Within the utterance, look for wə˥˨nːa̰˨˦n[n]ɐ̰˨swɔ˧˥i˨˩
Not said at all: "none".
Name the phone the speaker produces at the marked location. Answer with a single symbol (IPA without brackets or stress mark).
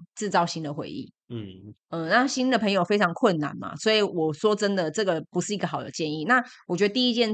m